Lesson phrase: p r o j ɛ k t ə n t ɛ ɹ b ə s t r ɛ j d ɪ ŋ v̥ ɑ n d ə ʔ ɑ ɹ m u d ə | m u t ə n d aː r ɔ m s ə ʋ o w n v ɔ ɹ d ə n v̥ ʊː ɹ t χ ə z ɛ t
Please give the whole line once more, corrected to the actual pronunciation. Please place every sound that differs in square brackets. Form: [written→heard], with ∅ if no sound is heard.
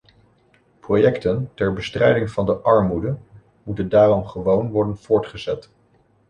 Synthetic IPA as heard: p r o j ɛ k t ə n t ɛ ɹ b ə s t r ɛ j d ɪ ŋ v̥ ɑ n d ə ʔ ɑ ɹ m u d ə | m u t ə n d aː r ɔ m [s→χ] ə ʋ o w n [v→ʋ] ɔ ɹ d ə n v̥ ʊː ɹ t χ ə z ɛ t